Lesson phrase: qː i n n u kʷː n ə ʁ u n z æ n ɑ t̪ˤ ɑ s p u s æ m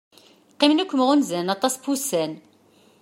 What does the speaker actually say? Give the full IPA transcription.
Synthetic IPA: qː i m n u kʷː m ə ʁ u n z æ n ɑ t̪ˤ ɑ s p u s æ n